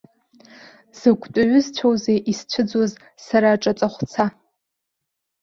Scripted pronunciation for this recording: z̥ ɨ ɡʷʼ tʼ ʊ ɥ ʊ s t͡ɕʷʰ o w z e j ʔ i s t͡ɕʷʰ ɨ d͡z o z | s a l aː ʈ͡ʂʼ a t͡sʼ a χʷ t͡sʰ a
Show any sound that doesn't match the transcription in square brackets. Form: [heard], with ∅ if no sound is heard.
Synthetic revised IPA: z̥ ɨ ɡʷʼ tʼ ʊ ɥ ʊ [z] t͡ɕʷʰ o w z e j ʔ i s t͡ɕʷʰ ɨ d͡z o z | s a [ɾ] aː ʈ͡ʂʼ a t͡sʼ a χʷ t͡sʰ a